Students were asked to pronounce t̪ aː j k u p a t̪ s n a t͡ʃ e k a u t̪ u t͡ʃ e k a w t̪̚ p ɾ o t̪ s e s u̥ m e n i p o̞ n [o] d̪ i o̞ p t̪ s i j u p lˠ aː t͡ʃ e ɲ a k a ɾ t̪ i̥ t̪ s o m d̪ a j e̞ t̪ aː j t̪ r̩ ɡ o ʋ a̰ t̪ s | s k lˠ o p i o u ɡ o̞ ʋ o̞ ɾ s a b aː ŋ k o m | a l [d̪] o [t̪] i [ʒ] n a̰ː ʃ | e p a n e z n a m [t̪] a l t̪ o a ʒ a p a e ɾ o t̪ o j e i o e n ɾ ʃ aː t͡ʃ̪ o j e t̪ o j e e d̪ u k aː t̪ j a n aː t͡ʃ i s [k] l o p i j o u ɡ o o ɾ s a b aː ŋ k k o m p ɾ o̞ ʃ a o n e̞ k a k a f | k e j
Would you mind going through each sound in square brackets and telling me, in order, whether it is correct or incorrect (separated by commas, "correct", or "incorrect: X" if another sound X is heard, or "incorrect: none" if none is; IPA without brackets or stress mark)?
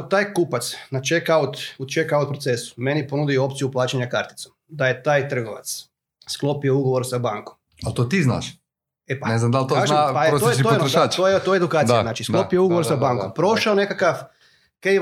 incorrect: u, incorrect: t̪, correct, incorrect: z, incorrect: d̪, correct